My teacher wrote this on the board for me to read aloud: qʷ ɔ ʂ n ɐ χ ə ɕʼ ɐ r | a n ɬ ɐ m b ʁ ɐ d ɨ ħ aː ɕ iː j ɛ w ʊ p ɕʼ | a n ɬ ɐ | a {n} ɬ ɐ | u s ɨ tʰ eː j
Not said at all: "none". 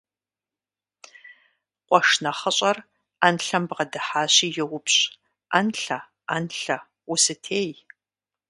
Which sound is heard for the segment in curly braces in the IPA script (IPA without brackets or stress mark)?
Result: n